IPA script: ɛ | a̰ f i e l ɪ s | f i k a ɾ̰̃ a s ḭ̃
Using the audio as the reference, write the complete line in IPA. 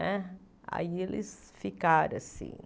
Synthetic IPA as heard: ɛ | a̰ i e l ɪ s | f i k a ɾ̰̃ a s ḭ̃